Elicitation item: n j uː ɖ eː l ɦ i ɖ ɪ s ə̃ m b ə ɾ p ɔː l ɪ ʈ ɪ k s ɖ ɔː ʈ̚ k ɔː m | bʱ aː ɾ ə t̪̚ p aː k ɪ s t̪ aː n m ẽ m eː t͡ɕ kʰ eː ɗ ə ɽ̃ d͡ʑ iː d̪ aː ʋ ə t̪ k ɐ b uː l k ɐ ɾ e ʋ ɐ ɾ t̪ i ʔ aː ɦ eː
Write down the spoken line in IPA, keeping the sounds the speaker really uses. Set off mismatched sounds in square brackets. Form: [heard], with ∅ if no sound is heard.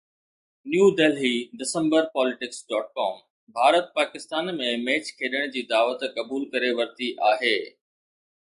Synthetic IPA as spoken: n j uː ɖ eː l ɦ i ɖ ɪ s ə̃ m b ə ɾ p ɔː l ɪ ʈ ɪ k s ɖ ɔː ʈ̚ k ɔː m | bʱ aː ɾ ə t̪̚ p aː k ɪ s t̪ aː n m ẽ m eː t͡ɕ kʰ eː ɗ ə ɽ̃ d͡ʑ iː d̪ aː ʋ ə t̪ k ɐ b uː l k ɐ ɾ e ʋ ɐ ɾ t̪ i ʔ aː ɦ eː